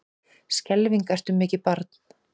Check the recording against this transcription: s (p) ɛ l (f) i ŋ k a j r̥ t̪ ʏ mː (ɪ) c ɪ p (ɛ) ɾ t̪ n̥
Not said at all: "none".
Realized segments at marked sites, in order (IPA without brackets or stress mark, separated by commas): c, v, ɪː, a